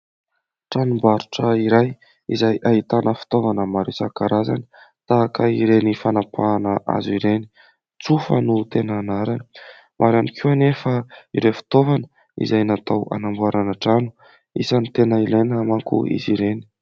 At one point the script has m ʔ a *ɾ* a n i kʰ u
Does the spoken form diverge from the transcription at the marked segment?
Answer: no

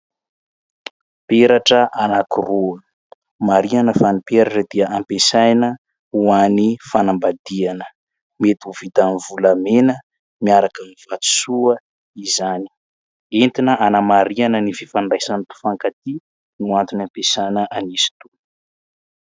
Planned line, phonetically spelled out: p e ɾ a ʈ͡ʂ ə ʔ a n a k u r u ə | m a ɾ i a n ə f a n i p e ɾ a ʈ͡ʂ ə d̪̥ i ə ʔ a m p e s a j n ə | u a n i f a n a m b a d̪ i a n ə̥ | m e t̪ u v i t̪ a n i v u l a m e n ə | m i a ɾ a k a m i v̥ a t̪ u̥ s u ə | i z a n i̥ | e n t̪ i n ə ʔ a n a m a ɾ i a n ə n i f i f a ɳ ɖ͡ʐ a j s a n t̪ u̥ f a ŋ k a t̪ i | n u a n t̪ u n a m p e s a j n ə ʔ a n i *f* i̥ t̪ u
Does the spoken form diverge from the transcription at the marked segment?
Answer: yes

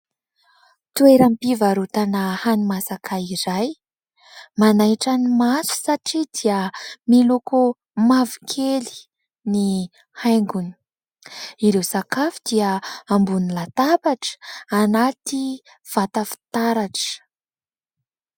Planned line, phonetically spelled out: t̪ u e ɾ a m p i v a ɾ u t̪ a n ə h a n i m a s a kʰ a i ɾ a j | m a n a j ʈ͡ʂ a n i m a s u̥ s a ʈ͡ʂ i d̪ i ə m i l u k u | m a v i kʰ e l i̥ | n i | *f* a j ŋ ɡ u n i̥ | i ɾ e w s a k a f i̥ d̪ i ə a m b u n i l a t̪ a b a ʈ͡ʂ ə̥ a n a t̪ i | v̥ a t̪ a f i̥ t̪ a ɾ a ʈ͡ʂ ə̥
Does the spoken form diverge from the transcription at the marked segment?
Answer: yes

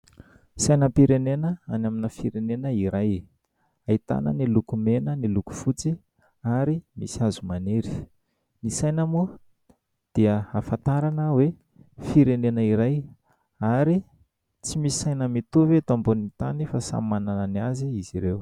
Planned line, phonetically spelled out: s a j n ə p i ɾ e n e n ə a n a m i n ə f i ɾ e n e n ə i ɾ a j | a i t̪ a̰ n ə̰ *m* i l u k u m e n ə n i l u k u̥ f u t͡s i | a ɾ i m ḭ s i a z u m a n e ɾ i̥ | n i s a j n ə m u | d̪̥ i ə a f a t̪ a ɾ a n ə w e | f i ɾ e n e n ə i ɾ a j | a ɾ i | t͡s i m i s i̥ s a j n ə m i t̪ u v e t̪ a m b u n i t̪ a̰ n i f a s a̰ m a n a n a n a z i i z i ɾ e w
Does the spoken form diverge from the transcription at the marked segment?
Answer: yes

